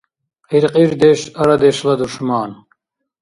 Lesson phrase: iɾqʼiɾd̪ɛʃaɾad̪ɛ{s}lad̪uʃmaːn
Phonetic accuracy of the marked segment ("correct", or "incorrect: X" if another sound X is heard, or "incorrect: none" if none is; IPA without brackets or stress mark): incorrect: ʃ